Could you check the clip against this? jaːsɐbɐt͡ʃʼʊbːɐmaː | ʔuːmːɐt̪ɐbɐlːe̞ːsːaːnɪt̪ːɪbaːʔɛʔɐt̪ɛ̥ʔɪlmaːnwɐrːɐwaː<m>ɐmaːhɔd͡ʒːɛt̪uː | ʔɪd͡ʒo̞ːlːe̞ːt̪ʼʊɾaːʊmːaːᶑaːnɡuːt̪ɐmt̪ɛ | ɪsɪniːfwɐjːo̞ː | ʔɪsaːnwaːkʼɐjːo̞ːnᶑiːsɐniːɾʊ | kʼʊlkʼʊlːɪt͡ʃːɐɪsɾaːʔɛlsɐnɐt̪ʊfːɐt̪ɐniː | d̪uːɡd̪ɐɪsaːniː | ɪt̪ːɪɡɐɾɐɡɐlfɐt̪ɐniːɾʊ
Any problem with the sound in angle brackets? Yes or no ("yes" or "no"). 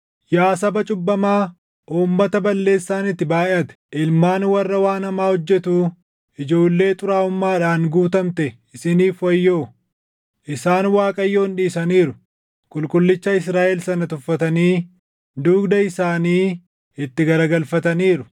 yes